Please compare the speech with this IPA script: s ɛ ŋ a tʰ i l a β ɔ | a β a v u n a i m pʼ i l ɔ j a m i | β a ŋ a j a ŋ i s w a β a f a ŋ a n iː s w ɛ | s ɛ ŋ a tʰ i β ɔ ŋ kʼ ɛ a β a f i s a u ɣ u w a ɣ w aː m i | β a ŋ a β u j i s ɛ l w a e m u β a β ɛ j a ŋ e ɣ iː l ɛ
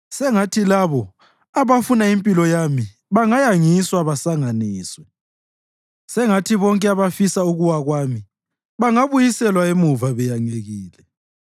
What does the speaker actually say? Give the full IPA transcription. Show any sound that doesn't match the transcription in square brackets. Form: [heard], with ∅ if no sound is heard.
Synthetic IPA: s ɛ ŋ a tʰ i l a β ɔ | a β a [f] u n a i m pʼ i l ɔ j a m i | β a ŋ a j a ŋ i s w a β a [s] a ŋ a n iː s w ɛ | s ɛ ŋ a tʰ i β ɔ ŋ kʼ ɛ a β a f i s a u ɣ u w a ɣ w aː m i | β a ŋ a β u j i s ɛ l w a e m u [v] a β ɛ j a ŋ e ɣ iː l ɛ